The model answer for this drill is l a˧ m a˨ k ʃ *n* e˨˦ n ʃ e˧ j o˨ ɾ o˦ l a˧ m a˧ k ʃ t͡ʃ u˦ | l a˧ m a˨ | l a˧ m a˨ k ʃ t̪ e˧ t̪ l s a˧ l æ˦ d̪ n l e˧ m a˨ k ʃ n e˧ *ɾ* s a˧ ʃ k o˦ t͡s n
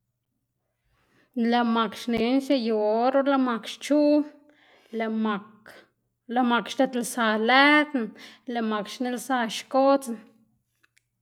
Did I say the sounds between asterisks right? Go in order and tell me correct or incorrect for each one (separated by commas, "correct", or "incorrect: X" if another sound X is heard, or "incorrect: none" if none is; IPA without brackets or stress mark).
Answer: correct, incorrect: l